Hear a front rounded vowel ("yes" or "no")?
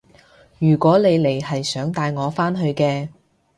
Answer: yes